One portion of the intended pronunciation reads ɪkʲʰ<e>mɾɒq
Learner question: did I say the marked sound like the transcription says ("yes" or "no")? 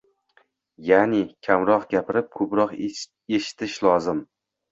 no